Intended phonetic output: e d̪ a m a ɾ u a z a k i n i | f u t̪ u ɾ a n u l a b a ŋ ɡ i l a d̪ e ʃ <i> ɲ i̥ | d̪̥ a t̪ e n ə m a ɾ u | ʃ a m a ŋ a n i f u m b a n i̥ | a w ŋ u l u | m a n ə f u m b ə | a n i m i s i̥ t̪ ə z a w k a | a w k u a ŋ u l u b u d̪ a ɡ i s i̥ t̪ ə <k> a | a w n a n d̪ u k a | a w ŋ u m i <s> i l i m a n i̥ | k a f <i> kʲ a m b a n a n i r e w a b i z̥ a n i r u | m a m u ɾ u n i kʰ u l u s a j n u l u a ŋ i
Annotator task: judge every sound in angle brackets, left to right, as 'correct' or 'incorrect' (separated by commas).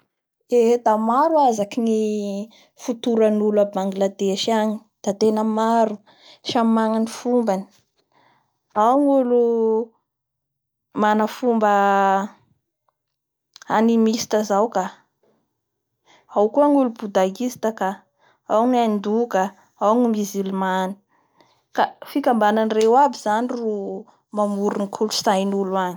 incorrect, correct, incorrect, correct